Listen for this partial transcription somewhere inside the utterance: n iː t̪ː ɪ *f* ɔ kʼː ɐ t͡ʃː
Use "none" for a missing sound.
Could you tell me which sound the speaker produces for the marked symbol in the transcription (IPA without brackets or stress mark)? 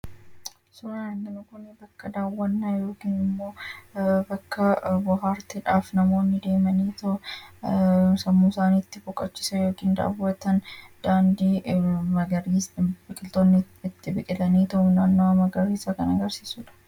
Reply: f